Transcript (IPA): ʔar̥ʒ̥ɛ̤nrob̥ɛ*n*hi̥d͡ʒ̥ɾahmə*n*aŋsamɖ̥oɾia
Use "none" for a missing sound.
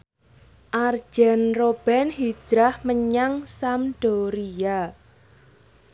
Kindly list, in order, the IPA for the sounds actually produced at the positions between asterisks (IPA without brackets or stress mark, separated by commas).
n, ɲ